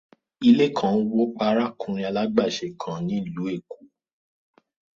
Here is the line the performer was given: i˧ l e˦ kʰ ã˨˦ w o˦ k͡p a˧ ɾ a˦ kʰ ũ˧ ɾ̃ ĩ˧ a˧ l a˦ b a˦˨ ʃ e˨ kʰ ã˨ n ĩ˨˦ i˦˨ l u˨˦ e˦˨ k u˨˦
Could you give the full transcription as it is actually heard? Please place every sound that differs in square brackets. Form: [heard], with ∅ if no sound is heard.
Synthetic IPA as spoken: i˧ l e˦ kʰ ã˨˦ w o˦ k͡p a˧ ɾ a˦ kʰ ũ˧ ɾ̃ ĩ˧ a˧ l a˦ [ɡ͡b] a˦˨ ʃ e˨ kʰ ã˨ n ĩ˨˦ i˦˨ l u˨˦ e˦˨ k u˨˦